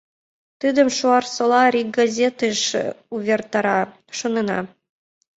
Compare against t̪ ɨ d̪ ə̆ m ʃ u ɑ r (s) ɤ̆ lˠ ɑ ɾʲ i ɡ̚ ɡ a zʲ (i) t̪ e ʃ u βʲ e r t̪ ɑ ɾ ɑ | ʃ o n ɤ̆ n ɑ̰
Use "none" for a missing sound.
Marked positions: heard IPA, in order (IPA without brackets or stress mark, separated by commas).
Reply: s, e